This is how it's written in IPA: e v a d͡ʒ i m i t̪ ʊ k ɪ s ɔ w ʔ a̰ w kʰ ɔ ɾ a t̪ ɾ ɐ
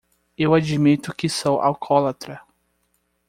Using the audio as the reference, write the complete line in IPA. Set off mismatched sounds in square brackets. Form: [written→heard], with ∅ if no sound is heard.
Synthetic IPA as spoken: e [v→w] a d͡ʒ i m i t̪ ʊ k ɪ s [ɔ→o] w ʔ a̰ w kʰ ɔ [ɾ→l] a t̪ ɾ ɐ